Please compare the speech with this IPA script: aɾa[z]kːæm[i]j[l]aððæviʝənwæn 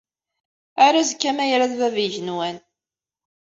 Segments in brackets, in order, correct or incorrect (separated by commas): correct, incorrect, incorrect